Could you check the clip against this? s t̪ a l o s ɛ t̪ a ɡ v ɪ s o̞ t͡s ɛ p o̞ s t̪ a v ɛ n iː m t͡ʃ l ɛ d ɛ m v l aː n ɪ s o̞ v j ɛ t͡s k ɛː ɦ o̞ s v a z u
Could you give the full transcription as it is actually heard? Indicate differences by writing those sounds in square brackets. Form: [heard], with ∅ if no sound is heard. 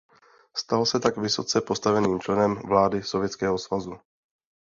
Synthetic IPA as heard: s t̪ a l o s ɛ t̪ a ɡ v ɪ s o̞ t͡s ɛ p o̞ s t̪ a v ɛ n iː m t͡ʃ l ɛ [n] ɛ m v l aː [d] ɪ s o̞ v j ɛ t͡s k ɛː ɦ o̞ s v a z u